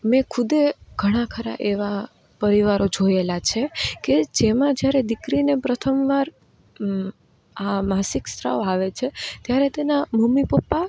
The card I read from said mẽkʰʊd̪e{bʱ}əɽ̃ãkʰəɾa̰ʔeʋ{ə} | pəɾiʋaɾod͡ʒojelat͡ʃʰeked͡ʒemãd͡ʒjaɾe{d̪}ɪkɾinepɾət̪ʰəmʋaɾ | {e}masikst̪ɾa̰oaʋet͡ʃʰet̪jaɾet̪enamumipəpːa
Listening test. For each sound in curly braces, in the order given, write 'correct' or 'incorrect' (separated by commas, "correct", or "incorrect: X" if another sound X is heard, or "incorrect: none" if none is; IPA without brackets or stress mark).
incorrect: ɡʱ, incorrect: a, correct, incorrect: a